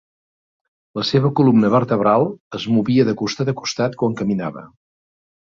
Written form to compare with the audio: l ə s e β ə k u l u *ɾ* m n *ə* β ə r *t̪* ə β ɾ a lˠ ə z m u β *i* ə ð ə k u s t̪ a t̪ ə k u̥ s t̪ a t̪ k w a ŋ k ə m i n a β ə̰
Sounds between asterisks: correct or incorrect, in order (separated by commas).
incorrect, correct, correct, correct